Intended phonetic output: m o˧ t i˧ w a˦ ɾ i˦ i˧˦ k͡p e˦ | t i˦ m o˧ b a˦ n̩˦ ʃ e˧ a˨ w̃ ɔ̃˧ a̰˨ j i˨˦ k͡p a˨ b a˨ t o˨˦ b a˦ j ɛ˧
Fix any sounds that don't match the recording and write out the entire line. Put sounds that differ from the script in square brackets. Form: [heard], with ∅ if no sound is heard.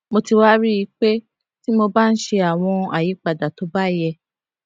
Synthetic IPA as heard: m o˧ t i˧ w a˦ ɾ i˦ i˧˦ k͡p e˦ | t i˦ m o˧ b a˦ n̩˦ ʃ e˧ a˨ w̃ ɔ̃˧ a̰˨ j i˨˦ k͡p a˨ [d] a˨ t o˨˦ b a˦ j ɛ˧